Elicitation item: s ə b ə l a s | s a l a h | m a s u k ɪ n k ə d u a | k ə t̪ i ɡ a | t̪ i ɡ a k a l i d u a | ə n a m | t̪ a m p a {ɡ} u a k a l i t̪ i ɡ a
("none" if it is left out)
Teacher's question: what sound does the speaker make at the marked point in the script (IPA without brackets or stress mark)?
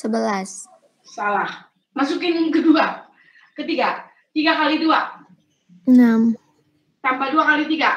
d